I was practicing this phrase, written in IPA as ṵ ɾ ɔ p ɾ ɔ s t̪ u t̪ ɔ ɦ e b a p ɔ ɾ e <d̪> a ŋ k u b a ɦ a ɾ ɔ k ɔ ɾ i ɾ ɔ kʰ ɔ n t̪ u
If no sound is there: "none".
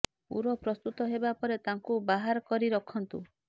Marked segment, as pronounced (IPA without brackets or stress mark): t̪